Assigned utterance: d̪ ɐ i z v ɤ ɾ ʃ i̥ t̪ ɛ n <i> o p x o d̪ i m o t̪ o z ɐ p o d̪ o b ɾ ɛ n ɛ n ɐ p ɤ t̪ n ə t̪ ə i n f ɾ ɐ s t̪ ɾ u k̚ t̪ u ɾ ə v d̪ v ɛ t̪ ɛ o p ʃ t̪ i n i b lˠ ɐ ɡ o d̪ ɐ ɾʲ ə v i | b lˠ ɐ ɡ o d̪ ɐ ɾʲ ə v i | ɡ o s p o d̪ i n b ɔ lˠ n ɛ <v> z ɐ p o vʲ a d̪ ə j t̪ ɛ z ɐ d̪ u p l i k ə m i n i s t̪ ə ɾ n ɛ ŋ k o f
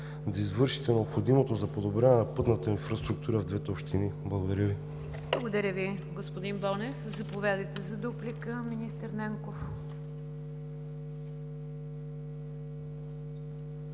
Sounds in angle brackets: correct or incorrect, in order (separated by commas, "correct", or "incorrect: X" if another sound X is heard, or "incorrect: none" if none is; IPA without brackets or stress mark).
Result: incorrect: ɛ, incorrect: f